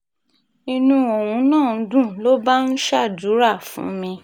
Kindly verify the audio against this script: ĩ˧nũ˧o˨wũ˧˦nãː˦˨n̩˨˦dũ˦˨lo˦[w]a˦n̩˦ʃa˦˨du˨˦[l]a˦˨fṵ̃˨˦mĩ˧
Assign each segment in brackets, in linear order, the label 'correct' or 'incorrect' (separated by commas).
incorrect, incorrect